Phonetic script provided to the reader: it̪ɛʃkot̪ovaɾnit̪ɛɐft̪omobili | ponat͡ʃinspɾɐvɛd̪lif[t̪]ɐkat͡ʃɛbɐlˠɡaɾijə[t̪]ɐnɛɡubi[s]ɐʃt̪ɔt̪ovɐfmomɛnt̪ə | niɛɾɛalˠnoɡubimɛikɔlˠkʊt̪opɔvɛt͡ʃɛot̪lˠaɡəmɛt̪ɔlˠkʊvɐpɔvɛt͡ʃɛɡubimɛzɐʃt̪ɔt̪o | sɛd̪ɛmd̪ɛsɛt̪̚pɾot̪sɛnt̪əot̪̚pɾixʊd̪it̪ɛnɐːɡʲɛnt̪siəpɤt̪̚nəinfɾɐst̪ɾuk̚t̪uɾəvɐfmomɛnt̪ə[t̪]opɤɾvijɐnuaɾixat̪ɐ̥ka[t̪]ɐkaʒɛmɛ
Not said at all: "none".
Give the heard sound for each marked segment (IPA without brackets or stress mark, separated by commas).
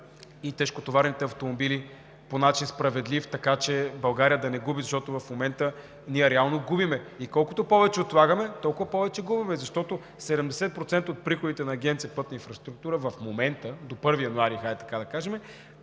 t̪, d̪, z, d̪, d̪